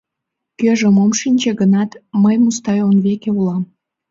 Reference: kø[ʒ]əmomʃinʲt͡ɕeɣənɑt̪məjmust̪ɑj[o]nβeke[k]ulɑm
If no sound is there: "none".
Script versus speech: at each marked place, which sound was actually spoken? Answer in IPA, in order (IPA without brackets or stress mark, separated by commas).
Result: ʒ, o, none